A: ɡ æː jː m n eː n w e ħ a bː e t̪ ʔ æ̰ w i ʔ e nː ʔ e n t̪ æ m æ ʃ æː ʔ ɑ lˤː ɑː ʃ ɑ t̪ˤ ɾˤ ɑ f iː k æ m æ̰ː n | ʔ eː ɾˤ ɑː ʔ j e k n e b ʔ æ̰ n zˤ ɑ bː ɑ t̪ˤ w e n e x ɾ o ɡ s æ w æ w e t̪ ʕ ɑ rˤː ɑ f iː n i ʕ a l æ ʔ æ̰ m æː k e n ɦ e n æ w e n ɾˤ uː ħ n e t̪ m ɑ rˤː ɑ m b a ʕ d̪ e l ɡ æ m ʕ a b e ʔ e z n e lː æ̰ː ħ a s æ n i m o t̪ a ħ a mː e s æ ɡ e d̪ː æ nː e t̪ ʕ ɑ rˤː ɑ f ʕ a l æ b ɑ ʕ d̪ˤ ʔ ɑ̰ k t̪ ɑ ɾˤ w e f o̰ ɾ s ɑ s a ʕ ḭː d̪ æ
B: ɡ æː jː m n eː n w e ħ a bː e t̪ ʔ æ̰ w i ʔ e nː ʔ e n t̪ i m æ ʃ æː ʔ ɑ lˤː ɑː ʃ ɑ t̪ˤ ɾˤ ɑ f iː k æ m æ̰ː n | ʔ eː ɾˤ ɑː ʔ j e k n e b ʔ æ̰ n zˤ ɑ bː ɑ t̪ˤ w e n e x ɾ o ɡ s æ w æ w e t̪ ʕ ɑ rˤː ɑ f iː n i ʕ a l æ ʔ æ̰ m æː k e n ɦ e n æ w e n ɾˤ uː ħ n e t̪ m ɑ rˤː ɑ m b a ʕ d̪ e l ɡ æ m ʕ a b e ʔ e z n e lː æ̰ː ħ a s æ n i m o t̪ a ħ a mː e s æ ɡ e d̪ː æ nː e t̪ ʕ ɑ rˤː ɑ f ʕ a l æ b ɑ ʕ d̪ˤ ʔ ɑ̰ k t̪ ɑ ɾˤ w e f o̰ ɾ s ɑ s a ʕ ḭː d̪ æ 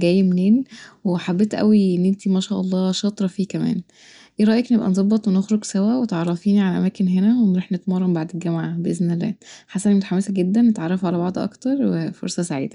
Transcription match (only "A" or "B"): B